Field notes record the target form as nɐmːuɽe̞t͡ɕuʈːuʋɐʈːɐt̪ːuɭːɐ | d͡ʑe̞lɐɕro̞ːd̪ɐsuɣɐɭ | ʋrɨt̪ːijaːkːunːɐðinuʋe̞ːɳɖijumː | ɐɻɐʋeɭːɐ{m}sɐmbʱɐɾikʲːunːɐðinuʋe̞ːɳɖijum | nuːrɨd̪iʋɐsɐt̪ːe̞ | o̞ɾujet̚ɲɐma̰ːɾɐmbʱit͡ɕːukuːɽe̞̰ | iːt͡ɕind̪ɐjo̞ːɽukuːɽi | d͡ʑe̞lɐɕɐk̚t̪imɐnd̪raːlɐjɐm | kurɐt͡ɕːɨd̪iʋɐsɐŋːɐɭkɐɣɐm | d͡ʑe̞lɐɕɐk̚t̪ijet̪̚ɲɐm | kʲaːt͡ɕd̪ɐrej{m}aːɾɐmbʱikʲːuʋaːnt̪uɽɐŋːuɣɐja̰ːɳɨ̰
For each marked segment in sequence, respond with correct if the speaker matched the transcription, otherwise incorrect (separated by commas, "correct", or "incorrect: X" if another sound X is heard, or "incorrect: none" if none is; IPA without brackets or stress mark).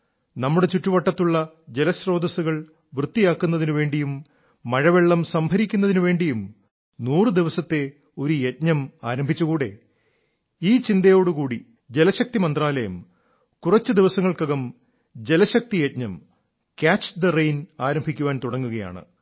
correct, incorrect: n